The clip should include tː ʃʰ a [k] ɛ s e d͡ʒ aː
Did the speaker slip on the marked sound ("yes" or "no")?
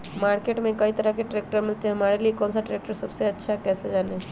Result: no